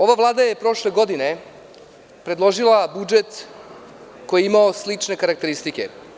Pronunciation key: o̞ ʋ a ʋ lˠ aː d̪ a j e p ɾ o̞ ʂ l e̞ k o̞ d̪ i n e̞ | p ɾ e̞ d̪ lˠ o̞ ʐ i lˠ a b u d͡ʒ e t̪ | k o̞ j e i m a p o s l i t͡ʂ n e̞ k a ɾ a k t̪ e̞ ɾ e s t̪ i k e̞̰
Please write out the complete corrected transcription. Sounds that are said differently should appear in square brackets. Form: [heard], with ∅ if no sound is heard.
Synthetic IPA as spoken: o̞ ʋ a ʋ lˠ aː d̪ a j e p ɾ o̞ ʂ l e̞ [ɡ] o̞ d̪ i n e̞ | p ɾ e̞ d̪ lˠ o̞ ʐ i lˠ a b u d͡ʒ e t̪ | k o̞ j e i m a [∅] o s l i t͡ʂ n e̞ k a ɾ a k t̪ e̞ ɾ [i] s t̪ i k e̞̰

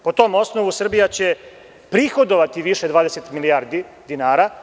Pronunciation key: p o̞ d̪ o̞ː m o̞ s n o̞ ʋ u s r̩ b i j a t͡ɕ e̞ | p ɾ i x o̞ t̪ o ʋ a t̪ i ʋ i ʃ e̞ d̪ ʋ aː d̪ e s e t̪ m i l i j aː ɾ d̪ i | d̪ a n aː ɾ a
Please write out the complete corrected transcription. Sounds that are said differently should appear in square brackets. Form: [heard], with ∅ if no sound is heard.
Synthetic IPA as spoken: p o̞ [t̪] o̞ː m o̞ s n o̞ ʋ u s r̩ b i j a t͡ɕ e̞ | p ɾ i x o̞ [d̪] o ʋ a t̪ i ʋ i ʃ e̞ d̪ ʋ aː d̪ e s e t̪ m i l i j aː ɾ d̪ i | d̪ [i] n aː ɾ a

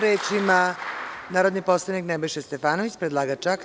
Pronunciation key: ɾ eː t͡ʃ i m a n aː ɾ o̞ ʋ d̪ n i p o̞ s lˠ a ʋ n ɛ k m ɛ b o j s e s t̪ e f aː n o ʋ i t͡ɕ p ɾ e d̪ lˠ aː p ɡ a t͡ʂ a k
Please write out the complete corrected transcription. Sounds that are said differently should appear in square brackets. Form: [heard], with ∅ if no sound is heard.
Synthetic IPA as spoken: ɾ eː t͡ʃ i m a n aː ɾ o̞ [∅] d̪ n i p o̞ s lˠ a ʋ n [i] k [n] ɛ b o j [ʃ] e s t̪ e f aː n o ʋ i t͡ɕ p ɾ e d̪ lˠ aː [∅] ɡ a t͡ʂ a k

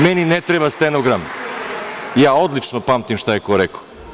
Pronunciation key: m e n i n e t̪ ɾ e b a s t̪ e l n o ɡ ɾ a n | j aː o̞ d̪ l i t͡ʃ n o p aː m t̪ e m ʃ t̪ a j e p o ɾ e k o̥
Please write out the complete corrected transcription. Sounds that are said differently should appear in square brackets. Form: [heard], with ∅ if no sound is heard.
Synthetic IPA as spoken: m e n i n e t̪ ɾ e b a s t̪ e [∅] n o ɡ ɾ a [m] | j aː o̞ d̪ l i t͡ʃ n o p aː m t̪ [i] m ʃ t̪ a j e [k] o ɾ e k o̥

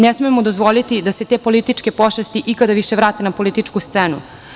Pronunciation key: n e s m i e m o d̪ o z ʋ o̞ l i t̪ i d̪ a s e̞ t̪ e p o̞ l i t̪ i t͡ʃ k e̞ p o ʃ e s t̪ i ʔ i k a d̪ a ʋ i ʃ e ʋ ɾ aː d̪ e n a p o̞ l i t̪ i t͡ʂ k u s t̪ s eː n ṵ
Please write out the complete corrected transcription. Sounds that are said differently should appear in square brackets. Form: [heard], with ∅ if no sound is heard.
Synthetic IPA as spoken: n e s m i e m o d̪ o z ʋ o̞ l i t̪ i d̪ a s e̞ t̪ e p o̞ l i t̪ i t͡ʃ k e̞ p o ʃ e s t̪ i ʔ i k a d̪ a ʋ i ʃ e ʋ ɾ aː [t̪] e n a p o̞ l i t̪ i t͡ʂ k u s t̪ s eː n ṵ

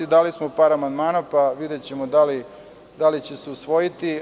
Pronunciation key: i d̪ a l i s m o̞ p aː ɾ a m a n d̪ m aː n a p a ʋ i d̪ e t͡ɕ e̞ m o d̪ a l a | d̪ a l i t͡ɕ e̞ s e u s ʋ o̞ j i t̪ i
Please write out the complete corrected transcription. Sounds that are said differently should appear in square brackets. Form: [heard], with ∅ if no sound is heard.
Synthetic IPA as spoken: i d̪ a l i s m o̞ p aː ɾ a m a n d̪ m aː n a p a ʋ i d̪ e t͡ɕ e̞ m o d̪ a l [i] | d̪ a l i t͡ɕ e̞ s e u s ʋ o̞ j i t̪ i

